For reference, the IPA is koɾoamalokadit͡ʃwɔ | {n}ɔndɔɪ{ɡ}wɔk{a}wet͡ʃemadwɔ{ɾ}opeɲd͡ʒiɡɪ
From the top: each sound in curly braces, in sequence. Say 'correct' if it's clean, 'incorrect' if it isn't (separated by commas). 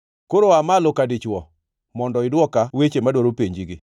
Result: incorrect, incorrect, correct, correct